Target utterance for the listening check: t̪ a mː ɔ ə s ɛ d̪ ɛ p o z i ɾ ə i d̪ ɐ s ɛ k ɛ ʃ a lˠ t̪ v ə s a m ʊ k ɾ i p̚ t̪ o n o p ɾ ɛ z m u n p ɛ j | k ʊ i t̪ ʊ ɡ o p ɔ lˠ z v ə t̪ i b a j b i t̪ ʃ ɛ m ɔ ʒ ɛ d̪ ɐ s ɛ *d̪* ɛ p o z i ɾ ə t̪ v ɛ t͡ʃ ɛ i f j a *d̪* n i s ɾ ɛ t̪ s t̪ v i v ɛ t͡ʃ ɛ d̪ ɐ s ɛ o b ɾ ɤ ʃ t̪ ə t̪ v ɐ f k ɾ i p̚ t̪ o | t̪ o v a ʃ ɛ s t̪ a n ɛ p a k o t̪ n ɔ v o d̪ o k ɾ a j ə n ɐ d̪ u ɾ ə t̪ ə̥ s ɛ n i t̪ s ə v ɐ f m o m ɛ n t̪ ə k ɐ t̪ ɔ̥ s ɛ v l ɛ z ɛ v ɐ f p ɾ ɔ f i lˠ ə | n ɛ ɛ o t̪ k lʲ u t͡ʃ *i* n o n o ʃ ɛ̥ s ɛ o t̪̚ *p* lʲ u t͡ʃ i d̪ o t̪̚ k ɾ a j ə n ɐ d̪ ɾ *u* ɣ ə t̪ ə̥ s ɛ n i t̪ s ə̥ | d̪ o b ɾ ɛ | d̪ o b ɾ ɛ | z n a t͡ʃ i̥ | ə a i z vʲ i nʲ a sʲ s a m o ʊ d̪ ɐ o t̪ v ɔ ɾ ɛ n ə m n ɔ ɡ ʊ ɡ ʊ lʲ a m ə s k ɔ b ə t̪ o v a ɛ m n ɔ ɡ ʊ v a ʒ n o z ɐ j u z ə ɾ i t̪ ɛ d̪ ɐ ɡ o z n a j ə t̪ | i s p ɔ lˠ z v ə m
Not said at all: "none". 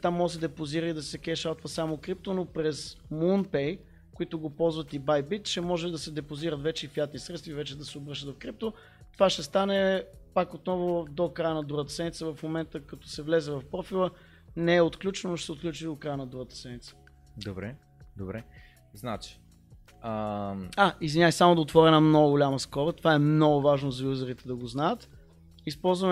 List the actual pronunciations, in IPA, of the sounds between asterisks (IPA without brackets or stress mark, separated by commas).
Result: d̪, t̪, ɛ, k, u